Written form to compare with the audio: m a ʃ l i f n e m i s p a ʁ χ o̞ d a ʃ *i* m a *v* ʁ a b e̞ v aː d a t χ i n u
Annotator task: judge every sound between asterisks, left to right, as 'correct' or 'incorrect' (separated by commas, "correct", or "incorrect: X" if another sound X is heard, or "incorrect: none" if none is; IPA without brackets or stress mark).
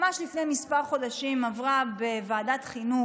correct, correct